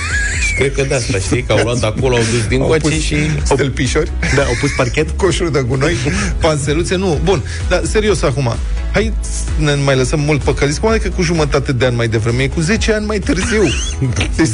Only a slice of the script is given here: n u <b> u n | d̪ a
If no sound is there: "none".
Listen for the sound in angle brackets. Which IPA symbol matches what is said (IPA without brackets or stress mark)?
b